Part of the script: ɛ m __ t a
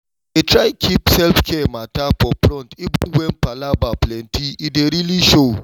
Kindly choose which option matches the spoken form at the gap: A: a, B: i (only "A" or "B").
A